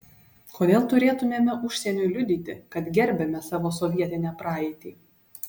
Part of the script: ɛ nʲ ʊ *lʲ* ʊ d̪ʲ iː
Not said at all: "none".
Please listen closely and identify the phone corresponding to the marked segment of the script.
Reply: lʲ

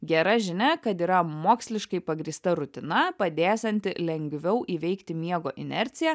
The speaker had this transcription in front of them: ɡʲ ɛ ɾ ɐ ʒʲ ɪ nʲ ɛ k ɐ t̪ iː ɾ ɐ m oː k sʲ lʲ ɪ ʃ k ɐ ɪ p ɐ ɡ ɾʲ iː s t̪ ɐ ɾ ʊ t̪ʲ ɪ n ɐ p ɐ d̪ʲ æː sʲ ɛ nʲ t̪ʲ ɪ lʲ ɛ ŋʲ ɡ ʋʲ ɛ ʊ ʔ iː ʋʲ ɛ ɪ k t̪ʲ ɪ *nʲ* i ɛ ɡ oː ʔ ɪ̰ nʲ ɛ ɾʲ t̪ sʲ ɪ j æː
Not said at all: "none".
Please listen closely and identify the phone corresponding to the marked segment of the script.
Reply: mʲ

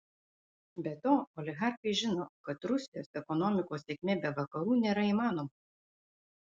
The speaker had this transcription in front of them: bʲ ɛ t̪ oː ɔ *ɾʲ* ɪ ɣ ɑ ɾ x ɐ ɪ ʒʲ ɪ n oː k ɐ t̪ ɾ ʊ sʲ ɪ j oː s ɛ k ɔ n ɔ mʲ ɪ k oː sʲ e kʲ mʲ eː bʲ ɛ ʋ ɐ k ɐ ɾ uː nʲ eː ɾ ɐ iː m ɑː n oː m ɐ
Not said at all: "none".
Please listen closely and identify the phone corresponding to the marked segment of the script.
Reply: lʲ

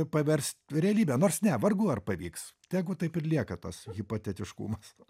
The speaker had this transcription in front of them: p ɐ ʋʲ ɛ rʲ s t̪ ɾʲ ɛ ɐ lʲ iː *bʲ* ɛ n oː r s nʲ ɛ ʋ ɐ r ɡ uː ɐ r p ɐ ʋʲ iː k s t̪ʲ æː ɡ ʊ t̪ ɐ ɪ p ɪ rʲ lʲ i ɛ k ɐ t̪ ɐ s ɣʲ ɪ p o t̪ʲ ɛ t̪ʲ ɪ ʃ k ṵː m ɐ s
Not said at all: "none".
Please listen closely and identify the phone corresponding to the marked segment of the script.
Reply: bʲ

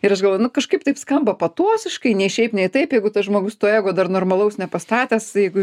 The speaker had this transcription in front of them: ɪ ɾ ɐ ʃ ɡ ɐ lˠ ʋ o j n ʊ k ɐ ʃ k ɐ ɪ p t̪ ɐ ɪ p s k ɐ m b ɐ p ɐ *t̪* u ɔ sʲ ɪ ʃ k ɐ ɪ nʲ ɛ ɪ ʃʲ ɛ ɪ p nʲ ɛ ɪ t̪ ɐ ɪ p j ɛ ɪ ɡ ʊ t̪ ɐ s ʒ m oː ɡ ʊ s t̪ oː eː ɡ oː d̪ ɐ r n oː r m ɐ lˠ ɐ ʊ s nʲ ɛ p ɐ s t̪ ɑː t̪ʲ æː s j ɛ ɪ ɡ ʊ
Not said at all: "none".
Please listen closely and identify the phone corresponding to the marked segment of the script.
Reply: t̪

